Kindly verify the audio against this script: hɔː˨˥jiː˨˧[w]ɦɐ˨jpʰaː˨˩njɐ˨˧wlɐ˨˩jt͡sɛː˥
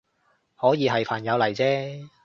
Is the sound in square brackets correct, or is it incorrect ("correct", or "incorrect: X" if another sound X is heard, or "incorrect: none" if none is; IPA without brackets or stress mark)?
incorrect: none